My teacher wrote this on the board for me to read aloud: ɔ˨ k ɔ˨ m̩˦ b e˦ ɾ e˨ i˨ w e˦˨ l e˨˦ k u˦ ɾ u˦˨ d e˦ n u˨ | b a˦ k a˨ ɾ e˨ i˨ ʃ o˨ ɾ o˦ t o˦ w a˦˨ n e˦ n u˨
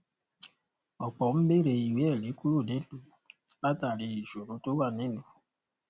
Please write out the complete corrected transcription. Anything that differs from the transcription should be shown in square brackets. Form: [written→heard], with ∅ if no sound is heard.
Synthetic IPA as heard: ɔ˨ [k→k͡p] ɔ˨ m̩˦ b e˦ ɾ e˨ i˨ w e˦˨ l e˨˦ k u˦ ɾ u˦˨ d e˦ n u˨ | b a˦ [k→t] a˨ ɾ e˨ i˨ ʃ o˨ ɾ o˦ t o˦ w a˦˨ n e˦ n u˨